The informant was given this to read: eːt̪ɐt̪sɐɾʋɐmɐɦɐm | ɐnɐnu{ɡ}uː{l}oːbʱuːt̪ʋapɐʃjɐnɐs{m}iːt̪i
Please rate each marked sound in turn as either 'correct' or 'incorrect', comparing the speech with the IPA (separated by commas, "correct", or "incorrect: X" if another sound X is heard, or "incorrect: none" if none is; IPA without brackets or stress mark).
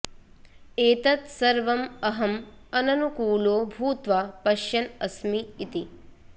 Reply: incorrect: k, correct, correct